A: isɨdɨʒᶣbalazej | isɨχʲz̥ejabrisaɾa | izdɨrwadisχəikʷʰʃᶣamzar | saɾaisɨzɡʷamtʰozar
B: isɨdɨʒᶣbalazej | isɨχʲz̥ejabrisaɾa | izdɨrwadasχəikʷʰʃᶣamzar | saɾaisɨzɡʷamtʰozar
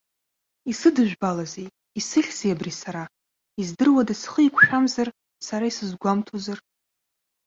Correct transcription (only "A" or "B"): B